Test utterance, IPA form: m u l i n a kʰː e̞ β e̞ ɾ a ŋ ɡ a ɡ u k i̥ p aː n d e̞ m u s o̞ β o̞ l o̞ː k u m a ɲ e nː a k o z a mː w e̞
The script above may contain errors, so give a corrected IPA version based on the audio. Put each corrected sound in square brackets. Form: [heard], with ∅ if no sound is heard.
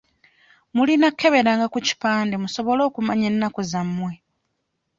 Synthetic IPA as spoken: m u l i n a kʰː e̞ β e̞ ɾ a ŋ ɡ a [k] u [c] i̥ p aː n d e̞ m u s o̞ β o̞ l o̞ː k u m a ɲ e nː a k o z a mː w e̞